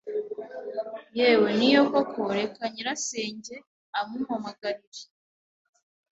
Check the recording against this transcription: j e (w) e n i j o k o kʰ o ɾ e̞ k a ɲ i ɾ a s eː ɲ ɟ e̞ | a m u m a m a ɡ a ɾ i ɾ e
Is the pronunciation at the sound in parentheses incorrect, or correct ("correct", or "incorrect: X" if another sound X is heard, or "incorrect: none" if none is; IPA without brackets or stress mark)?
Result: correct